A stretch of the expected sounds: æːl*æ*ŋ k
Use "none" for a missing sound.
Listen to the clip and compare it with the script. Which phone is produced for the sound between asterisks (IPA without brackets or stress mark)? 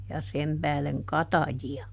e